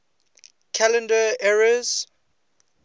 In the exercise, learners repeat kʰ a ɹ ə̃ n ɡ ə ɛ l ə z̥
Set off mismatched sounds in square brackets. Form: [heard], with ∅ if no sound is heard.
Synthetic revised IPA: kʰ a [l] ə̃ n [d] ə ɛ [ɹ] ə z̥